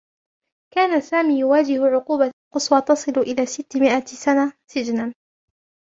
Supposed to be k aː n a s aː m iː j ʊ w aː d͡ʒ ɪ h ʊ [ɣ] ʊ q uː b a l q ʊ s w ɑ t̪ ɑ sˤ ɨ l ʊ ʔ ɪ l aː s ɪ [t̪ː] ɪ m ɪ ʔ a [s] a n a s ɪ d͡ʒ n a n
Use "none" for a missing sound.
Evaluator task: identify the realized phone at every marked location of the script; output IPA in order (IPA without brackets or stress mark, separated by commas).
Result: ʕ, t̪ː, s